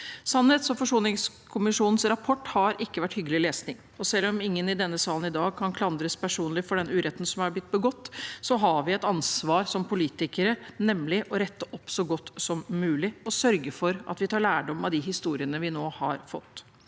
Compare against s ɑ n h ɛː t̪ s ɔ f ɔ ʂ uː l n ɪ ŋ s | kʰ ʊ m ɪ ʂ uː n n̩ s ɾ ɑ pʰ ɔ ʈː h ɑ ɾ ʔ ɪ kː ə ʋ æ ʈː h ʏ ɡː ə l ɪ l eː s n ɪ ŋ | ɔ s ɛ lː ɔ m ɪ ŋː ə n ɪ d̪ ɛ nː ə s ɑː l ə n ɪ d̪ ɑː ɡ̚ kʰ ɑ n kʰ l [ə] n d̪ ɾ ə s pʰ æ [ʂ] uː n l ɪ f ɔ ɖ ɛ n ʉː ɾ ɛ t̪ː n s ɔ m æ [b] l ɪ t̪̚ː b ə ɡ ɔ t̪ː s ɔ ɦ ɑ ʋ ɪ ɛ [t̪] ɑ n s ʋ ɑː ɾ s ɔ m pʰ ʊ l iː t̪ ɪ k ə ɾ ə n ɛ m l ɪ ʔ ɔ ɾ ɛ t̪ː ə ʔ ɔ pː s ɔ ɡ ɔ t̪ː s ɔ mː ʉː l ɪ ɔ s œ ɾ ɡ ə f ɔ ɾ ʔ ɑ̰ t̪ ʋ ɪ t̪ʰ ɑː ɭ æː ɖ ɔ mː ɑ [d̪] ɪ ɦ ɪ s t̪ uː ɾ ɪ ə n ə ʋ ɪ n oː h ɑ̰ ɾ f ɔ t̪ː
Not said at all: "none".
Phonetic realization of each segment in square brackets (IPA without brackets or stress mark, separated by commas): ɑ, ʂ, b, t̪, d̪